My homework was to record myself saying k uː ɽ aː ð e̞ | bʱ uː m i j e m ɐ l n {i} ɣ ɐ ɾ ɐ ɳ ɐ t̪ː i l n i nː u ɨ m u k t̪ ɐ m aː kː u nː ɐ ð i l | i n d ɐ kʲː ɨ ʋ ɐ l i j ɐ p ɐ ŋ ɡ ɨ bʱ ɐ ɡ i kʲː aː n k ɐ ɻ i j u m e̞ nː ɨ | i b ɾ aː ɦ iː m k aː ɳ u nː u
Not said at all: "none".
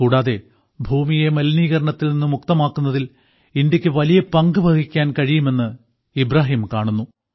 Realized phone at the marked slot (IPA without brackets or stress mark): iː